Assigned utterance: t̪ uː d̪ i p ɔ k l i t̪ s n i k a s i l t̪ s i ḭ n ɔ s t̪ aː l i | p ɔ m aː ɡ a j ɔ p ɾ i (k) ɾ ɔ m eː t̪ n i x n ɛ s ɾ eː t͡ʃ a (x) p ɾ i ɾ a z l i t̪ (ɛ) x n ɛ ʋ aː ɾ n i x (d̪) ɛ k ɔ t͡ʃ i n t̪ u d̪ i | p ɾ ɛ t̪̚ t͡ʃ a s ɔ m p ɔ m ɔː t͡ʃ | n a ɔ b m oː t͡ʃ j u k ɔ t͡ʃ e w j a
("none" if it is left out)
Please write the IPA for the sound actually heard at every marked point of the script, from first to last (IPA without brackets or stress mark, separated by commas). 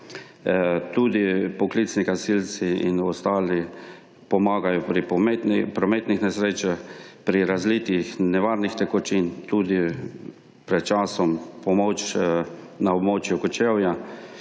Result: p, x, i, t̪